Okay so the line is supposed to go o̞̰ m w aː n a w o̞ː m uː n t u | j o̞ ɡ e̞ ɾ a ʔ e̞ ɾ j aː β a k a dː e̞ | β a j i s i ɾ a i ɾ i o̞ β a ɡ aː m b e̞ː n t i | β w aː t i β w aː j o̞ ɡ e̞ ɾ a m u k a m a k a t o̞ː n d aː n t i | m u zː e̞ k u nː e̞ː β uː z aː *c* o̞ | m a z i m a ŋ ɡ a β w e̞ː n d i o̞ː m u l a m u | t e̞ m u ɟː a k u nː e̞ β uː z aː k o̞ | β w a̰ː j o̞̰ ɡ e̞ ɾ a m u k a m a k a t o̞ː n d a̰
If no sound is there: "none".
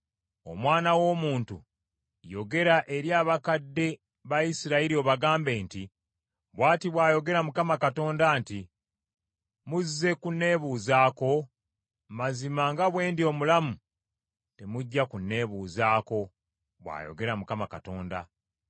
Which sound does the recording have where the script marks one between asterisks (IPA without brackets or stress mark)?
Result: k